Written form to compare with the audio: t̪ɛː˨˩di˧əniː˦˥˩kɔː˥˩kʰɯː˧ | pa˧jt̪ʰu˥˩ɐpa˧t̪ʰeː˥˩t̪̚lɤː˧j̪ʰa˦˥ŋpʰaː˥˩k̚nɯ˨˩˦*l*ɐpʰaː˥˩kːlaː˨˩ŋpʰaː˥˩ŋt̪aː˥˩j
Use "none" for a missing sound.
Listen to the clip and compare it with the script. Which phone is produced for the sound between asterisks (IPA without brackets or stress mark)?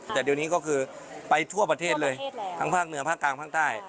none